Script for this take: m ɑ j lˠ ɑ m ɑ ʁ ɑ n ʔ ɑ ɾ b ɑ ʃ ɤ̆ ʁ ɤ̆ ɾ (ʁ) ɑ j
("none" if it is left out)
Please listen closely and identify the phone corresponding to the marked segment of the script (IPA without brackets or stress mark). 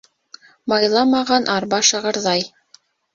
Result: ð